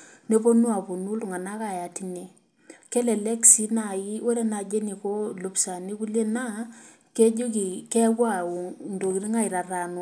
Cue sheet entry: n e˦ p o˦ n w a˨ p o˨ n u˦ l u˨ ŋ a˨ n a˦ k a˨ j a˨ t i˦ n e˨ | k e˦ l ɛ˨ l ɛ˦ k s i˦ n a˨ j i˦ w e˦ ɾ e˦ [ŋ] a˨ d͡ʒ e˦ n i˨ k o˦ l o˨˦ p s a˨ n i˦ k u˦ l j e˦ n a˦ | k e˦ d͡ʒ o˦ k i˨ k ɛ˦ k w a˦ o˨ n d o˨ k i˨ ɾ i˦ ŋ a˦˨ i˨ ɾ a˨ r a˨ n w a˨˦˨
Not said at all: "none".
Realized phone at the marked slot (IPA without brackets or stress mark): n